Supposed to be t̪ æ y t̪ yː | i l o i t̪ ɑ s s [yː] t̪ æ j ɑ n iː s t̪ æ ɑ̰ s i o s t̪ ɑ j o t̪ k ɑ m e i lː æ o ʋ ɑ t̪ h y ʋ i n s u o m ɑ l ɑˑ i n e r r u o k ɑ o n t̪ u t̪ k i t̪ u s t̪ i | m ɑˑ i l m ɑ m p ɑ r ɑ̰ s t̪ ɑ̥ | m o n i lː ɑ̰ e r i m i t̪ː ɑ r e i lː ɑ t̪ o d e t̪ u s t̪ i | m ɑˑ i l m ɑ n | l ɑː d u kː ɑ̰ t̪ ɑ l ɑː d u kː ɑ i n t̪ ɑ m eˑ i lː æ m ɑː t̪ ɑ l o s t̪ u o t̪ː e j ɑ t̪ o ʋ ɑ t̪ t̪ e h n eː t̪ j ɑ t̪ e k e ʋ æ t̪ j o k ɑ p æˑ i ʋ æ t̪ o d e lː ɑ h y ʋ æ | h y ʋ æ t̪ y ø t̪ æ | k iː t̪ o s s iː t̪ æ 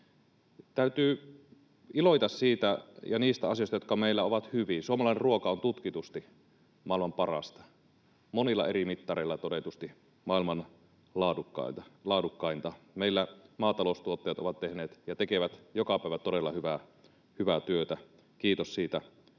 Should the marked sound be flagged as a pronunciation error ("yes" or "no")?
yes